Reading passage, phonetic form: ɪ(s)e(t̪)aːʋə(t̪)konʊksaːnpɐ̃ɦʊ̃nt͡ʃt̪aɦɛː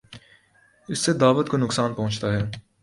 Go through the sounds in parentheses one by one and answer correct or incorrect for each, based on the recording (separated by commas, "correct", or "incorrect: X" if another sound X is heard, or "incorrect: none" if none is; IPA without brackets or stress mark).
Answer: incorrect: sː, incorrect: d̪, correct